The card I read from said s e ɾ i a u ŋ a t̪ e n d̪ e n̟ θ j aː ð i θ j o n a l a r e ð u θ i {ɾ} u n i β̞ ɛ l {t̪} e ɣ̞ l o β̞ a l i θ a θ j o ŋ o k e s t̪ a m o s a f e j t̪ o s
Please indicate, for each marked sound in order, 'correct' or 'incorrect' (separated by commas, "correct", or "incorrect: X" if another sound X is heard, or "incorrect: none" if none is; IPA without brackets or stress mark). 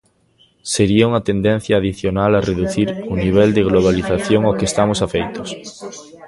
correct, incorrect: d̪